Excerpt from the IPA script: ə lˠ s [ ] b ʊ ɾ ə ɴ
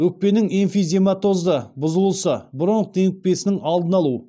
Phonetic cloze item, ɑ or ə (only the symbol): ə